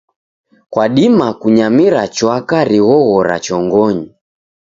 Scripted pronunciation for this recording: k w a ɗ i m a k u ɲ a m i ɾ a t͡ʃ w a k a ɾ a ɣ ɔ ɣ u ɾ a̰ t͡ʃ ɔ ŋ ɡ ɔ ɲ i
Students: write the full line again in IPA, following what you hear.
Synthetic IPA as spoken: k w a ɗ i m a k u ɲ a m i ɾ a t͡ʃ w a k a ɾ i ɣ ɔ ɣ ɔ ɾ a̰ t͡ʃ ɔ ŋ ɡ ɔ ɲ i

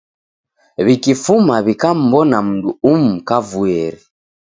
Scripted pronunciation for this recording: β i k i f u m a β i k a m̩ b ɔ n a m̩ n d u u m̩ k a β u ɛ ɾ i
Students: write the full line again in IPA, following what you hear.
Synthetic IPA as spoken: β i k i f u m a β i k a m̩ b ɔ n a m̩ n d u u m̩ k a v u ɛ ɾ i

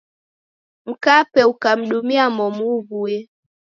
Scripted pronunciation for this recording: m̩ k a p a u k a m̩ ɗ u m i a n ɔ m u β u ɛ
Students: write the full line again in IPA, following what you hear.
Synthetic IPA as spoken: m̩ k a p ɛ u k a m̩ ɗ u m i a m ɔ m u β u ɛ

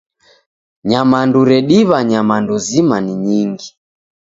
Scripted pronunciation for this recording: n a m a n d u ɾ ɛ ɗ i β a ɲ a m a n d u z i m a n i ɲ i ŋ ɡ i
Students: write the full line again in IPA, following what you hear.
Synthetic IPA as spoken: ɲ a m a n d u ɾ ɛ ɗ i β a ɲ a m a n d u z i m a n i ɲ i ŋ ɡ i

